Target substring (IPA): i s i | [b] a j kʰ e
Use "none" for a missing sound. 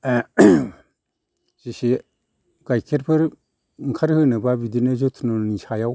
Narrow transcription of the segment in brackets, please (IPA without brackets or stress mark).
ɡ